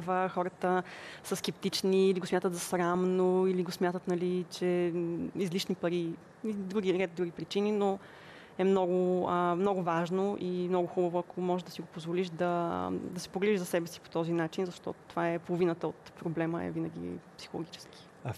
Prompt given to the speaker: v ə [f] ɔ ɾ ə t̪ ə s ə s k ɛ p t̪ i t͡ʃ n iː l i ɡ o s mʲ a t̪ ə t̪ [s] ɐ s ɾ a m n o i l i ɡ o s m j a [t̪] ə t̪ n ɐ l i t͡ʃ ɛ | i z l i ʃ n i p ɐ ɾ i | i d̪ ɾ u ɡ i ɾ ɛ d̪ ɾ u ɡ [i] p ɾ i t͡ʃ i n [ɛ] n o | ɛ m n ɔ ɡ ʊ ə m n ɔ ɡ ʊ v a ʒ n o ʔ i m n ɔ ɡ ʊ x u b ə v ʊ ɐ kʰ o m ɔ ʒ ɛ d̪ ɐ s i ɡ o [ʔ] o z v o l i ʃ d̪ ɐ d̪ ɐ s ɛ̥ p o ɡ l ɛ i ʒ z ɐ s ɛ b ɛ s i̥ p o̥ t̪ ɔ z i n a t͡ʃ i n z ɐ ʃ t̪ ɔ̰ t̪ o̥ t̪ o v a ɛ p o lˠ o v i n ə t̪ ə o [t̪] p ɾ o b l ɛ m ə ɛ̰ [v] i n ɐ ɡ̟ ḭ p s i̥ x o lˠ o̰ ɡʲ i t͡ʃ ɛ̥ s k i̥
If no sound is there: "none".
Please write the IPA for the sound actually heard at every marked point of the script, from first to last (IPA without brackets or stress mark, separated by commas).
x, z, t̪, i, i, p, t̪, v